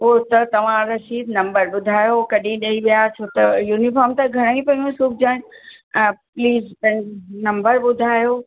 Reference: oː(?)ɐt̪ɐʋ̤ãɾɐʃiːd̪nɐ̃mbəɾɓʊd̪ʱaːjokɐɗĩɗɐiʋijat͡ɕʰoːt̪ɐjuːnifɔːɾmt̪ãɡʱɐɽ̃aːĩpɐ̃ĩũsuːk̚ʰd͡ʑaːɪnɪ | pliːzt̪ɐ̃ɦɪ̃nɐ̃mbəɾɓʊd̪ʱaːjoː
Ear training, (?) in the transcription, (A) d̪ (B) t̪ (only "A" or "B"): B